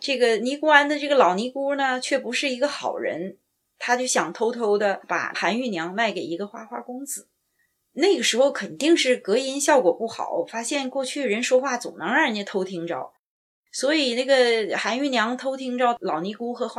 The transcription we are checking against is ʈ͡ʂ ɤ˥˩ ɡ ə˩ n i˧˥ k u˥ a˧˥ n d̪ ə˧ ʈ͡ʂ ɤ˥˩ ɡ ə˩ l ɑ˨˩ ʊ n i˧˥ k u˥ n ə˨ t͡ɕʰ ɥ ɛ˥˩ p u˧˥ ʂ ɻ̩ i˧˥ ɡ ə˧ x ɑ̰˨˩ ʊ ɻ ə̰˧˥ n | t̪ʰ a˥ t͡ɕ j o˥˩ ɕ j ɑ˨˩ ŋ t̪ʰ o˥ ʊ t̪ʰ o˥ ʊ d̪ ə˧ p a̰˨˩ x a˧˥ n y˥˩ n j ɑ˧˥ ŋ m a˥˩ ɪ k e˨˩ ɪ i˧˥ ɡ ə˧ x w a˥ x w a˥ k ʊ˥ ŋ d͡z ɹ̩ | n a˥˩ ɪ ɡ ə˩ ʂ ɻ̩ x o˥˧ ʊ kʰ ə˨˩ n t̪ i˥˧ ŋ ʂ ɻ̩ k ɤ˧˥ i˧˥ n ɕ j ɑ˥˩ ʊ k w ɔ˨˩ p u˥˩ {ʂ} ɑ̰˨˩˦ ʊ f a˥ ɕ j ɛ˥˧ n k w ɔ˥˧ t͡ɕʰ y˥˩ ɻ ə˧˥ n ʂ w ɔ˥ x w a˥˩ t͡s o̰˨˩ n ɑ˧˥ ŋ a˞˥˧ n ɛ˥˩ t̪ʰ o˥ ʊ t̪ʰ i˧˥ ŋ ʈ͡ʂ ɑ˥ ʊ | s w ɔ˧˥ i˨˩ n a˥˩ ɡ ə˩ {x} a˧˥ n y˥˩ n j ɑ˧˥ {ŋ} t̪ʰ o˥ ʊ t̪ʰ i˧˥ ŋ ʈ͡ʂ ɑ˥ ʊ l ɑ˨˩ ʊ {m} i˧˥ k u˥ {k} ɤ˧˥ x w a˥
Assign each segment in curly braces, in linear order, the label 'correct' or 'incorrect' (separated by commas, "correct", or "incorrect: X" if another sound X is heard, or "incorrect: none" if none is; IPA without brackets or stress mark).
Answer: incorrect: x, correct, correct, incorrect: n, incorrect: x